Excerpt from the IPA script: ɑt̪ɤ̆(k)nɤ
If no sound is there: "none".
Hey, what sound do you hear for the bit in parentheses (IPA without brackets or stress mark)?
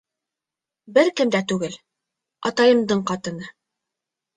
none